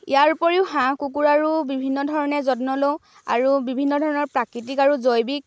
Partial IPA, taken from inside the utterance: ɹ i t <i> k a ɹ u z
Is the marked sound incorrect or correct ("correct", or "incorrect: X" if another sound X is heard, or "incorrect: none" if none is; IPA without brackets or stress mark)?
correct